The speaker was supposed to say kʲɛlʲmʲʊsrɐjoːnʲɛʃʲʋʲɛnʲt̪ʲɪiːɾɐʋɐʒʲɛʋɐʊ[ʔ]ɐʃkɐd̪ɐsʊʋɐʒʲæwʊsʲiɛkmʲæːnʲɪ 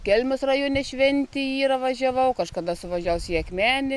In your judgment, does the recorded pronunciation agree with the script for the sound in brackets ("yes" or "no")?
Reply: no